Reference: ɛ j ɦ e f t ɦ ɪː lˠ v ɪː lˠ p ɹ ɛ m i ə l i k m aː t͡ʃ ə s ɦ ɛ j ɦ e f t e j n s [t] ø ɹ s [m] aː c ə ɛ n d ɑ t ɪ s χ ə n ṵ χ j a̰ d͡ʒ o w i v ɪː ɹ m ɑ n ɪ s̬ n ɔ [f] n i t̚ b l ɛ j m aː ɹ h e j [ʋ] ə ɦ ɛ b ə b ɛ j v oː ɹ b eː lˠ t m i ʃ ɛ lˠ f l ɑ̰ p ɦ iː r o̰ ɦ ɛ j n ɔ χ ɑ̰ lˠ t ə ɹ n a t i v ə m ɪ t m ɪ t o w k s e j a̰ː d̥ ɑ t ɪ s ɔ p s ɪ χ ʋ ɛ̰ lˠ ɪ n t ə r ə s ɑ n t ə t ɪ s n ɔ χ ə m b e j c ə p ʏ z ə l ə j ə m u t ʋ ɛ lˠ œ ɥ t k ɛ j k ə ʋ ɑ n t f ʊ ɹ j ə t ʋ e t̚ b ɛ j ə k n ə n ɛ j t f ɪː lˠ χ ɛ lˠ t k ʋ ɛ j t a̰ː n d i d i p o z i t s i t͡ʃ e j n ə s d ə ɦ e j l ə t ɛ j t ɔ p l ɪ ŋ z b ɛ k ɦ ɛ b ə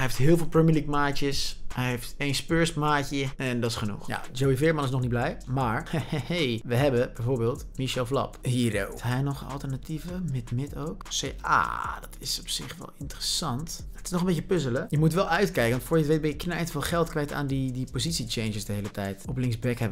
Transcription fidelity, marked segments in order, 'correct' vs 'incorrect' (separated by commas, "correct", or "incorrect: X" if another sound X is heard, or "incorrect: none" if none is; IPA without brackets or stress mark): incorrect: p, correct, incorrect: χ, correct